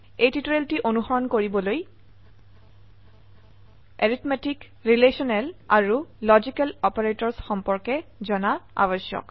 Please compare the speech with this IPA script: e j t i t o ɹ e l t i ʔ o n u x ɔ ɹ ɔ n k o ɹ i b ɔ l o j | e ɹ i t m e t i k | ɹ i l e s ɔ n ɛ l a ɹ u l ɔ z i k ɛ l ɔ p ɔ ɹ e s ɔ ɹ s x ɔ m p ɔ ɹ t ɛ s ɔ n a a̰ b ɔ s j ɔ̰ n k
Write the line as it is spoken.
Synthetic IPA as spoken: e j t i t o ɹ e l t i ʔ o n u x ɔ ɹ ɔ n k o ɹ i b ɔ l o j | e ɹ i t m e t i k | ɹ i l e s ɔ n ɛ l a ɹ u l ɔ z i k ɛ l ɔ p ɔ ɹ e t ɔ ɹ s x ɔ m p ɔ ɹ k ɛ z ɔ n a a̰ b ɔ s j ɔ̰ k